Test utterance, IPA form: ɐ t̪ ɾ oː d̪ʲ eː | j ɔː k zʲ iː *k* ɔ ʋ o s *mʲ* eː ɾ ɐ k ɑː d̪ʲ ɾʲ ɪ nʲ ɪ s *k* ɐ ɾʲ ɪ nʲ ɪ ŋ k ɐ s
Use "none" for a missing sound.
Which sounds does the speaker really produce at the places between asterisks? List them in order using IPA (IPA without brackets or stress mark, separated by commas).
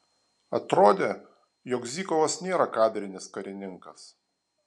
k, nʲ, k